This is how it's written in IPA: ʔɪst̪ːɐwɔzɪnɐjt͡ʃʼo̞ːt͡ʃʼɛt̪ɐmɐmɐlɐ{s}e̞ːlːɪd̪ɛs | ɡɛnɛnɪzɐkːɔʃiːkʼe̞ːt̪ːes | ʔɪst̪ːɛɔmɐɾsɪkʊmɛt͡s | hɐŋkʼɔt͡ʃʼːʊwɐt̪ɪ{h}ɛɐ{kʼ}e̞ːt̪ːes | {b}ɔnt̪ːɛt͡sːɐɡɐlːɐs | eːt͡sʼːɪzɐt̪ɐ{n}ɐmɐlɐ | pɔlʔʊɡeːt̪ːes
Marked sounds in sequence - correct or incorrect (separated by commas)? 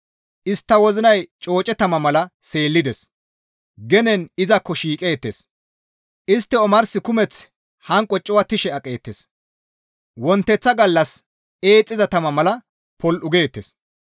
correct, incorrect, correct, incorrect, incorrect